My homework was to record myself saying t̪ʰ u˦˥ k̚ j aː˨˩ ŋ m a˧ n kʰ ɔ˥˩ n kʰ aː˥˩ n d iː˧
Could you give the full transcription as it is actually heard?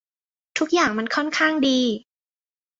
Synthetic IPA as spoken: t̪ʰ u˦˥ k̚ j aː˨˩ ŋ m a˧ n kʰ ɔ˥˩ n kʰ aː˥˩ ŋ d iː˧